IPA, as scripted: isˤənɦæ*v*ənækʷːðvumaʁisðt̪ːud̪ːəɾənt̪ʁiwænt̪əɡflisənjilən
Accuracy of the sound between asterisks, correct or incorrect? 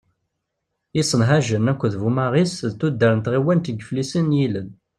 incorrect